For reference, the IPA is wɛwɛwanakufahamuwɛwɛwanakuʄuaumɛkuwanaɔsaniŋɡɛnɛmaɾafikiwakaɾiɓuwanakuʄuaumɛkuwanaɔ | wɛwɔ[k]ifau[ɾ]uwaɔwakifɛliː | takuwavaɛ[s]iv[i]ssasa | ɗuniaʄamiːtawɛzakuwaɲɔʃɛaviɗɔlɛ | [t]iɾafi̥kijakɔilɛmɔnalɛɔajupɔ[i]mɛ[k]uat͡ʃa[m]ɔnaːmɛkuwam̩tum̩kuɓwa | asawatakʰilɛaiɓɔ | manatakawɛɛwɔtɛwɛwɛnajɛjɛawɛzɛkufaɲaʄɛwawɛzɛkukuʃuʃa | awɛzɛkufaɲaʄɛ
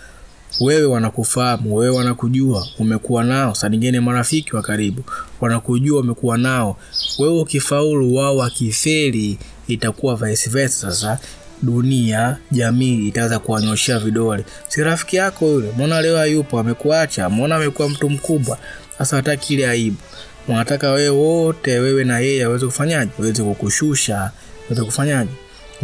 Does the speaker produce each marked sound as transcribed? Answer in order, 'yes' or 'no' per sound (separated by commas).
yes, no, yes, no, no, no, yes, yes